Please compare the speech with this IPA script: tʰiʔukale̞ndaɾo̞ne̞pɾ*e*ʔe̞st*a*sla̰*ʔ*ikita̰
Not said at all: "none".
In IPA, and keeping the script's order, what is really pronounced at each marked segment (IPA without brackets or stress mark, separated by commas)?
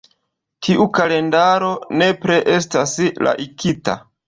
e, a, ʔ